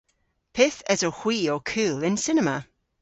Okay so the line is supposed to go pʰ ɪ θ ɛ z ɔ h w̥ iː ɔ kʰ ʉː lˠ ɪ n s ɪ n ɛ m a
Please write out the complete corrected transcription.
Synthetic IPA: pʰ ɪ θ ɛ z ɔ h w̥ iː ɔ kʰ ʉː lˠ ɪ n s ɪ n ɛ m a